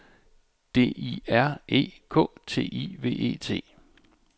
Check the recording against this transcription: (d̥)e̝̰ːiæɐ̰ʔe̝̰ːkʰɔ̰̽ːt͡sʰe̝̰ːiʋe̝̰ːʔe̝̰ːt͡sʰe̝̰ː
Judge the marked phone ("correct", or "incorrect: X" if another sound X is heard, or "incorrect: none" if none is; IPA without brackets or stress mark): correct